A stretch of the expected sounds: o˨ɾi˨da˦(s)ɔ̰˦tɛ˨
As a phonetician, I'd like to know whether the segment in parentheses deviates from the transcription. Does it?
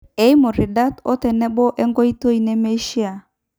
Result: yes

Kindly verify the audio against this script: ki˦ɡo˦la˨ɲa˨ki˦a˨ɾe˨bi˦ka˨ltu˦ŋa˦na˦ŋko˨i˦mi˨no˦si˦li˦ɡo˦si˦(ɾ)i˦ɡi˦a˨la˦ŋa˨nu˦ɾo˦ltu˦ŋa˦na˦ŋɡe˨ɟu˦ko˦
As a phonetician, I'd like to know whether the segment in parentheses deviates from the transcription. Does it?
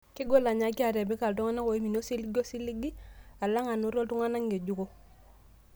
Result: yes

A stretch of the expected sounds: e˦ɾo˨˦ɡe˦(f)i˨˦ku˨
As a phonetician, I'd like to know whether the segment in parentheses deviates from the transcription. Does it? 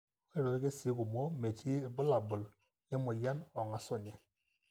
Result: yes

